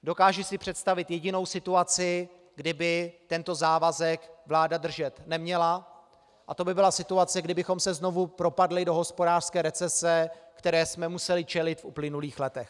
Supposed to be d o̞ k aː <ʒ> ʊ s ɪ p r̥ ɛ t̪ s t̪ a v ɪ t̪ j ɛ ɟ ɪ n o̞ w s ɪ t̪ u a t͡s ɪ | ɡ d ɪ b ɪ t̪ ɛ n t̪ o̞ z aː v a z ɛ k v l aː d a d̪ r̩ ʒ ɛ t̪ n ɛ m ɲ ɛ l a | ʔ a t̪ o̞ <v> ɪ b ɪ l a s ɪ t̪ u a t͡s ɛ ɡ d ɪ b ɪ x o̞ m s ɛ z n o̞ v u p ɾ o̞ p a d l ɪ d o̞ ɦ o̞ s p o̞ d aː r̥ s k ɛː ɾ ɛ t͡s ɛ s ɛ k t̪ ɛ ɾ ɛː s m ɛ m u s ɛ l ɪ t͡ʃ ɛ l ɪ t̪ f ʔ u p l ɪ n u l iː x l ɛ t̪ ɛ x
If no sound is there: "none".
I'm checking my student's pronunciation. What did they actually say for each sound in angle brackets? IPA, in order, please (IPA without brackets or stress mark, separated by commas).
ʒ, b